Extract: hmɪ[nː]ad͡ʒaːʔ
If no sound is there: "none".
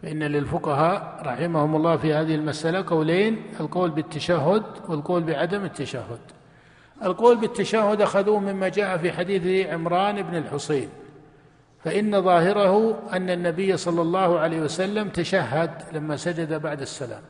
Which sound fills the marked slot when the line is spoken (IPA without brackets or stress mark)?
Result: mː